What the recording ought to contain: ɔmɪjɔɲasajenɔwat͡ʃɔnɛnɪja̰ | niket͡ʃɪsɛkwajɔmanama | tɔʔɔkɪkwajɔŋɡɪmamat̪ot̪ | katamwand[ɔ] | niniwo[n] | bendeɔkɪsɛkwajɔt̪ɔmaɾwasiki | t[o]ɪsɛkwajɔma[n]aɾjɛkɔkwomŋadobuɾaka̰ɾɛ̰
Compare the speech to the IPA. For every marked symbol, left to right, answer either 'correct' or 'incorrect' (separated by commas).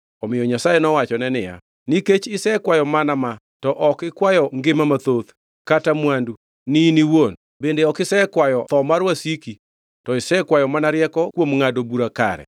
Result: incorrect, correct, incorrect, correct